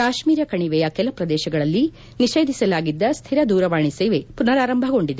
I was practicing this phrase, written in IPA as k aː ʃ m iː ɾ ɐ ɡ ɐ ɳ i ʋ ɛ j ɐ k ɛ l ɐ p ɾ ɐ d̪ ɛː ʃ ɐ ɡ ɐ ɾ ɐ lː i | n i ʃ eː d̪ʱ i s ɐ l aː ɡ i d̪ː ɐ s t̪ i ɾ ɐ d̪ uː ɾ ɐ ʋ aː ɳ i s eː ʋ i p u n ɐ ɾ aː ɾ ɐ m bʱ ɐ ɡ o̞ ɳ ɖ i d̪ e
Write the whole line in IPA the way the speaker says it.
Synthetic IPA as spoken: k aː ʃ m iː ɾ ɐ k ɐ ɳ i ʋ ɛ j ɐ k ɛ l ɐ p ɾ ɐ d̪ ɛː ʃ ɐ ɡ ɐ ɭ ɐ lː i | n i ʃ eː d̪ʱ i s ɐ l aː ɡ i d̪ː ɐ s t̪ʰ i ɾ ɐ d̪ uː ɾ ɐ ʋ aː ɳ i s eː ʋ e p u n ɐ ɾ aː ɾ ɐ m bʱ ɐ ɡ o̞ ɳ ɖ i d̪ e